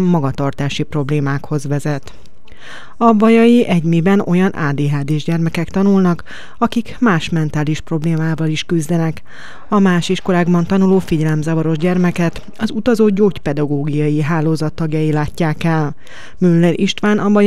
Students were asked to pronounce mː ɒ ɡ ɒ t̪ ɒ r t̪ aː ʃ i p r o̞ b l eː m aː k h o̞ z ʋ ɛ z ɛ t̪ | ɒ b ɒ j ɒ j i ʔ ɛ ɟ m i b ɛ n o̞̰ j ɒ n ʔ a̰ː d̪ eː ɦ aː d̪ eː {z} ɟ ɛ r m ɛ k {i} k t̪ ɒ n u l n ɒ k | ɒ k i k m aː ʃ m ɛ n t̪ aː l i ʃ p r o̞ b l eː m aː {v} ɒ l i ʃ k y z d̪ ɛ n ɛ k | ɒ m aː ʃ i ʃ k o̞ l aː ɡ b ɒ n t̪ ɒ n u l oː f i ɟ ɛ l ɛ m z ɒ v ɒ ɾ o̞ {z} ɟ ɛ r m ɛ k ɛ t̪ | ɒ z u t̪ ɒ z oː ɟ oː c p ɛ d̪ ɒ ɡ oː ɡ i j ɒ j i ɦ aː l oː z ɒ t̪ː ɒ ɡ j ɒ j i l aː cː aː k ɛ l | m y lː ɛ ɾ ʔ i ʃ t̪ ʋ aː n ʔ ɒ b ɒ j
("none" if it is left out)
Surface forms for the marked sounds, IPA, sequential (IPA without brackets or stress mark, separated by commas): ʒ, ɛ, v, ʒ